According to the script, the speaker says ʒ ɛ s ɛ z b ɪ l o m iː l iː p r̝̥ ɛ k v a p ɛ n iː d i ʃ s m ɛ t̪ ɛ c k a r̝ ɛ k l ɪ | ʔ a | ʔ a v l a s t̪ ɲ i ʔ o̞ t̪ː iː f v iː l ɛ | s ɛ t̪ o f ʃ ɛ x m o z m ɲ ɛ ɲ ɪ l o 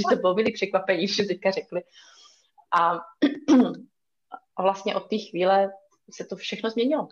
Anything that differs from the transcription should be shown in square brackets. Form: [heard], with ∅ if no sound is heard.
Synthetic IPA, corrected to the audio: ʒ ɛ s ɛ [∅] b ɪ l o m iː l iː p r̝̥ ɛ k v a p ɛ [ɲ] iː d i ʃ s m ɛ t̪ ɛ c k a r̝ ɛ k l ɪ | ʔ a | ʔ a v l a s t̪ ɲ [ɛ] ʔ o̞ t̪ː iː [x] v iː l ɛ | s ɛ t̪ o f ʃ ɛ x [n] o z m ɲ ɛ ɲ ɪ l o